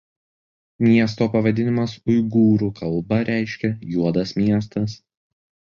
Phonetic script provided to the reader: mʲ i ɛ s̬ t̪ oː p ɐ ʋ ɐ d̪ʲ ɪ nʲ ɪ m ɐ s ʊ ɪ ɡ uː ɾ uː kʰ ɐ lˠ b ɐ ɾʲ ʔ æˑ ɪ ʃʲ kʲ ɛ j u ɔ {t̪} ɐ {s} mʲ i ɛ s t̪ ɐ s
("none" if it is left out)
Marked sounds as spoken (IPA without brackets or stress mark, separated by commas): d̪, s